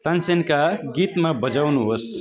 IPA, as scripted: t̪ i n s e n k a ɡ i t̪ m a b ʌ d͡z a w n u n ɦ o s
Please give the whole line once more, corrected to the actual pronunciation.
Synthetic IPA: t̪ a n s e n k a ɡ i t̪ m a b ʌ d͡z a w n u ɦ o s